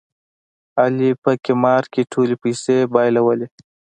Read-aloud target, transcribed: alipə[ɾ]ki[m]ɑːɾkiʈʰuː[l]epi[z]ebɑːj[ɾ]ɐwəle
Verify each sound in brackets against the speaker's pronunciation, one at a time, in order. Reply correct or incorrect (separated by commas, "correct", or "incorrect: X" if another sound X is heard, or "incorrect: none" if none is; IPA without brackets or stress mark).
incorrect: none, correct, correct, incorrect: s, incorrect: l